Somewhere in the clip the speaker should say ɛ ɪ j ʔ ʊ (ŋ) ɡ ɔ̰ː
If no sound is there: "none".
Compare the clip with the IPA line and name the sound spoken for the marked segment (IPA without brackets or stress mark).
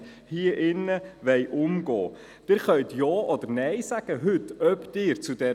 m